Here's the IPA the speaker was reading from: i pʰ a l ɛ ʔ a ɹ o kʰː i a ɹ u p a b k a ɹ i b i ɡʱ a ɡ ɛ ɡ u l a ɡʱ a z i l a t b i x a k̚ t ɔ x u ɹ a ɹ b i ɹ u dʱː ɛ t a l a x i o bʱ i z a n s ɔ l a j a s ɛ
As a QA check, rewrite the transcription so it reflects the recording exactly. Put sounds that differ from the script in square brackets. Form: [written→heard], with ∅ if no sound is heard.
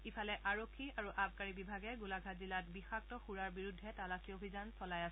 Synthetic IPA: i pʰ a l ɛ ʔ a ɹ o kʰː i a ɹ u [p→ʔ] a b k a ɹ i b i [ɡʱ→bʱ] a ɡ ɛ ɡ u l a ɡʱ a z i l a t b i x a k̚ t ɔ x u ɹ a ɹ b i ɹ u dʱː ɛ t a l a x i o bʱ i z a n s ɔ l a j a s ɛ